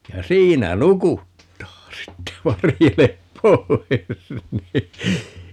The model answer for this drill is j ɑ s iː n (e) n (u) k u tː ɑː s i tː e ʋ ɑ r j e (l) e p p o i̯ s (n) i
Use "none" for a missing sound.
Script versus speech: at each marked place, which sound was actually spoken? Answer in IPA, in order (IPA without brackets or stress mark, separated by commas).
æ, u, l, n